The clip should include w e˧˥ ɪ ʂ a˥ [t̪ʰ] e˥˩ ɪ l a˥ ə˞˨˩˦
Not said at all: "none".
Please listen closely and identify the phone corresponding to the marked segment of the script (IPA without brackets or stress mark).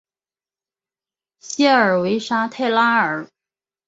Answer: t̪ʰ